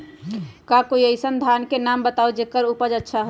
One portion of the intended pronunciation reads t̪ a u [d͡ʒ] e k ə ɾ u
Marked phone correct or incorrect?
correct